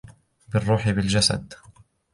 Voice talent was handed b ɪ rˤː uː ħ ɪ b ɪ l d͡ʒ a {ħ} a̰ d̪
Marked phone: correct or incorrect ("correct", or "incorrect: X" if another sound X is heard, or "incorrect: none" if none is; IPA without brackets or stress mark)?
incorrect: s